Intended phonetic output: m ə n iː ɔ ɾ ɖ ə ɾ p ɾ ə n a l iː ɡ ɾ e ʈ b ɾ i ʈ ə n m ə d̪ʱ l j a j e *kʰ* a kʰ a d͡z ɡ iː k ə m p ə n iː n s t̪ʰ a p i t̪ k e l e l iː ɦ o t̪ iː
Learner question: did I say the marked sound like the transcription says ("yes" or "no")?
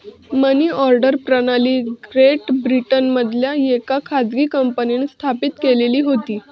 no